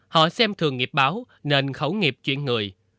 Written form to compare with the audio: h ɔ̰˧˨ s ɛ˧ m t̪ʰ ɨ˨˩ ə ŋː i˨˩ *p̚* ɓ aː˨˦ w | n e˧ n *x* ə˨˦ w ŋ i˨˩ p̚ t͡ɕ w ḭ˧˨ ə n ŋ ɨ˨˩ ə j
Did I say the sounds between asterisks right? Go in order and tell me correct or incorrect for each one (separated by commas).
correct, correct